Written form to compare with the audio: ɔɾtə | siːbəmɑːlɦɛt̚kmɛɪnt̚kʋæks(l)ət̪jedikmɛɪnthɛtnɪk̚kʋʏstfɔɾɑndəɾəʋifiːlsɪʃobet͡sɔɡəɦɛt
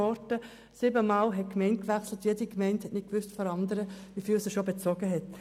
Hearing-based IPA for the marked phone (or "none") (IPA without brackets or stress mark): l